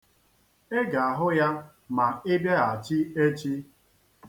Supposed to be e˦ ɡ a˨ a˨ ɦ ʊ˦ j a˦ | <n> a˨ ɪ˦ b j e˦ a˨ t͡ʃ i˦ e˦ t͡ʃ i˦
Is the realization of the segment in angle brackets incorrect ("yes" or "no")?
yes